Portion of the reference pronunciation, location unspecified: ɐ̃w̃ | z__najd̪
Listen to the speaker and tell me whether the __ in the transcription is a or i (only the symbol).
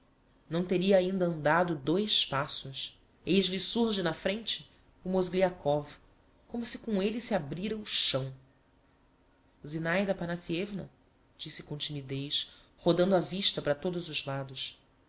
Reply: i